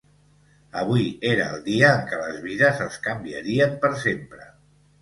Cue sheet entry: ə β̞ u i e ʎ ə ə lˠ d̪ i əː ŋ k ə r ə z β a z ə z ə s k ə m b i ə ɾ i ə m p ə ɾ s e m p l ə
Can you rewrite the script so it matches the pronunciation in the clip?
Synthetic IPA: ə β̞ u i e ɾ ə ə lˠ d̪ i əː ŋ k ə l ə z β i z ə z ə s k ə m b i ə ɾ i ə m p ə ɾ s e m p ɾ ə